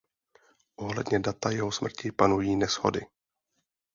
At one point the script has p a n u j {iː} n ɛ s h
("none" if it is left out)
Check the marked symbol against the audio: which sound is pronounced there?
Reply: iː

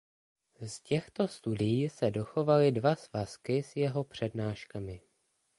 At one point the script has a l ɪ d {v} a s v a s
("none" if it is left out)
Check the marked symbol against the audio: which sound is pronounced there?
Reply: v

